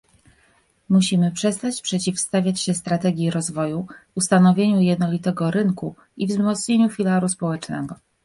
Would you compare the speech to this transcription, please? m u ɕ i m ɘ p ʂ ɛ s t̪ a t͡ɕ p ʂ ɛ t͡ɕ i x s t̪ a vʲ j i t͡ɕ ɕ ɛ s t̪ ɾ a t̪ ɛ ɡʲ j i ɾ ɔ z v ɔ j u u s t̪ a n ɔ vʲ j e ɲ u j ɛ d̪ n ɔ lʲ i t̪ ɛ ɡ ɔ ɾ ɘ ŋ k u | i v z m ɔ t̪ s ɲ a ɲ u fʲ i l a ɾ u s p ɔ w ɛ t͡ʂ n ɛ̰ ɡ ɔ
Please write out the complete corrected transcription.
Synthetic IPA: m u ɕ i m ɘ p ʂ ɛ s t̪ a t͡ɕ p ʂ ɛ t͡ɕ i f s t̪ a vʲ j a t͡ɕ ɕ ɛ s t̪ ɾ a t̪ ɛ ɡʲ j i ɾ ɔ z v ɔ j u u s t̪ a n ɔ vʲ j e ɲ u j ɛ d̪ n ɔ lʲ i t̪ ɛ ɡ ɔ ɾ ɘ ŋ k u | i v z m ɔ t̪ s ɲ e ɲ u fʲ i l a ɾ u s p ɔ w ɛ t͡ʂ n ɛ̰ ɡ ɔ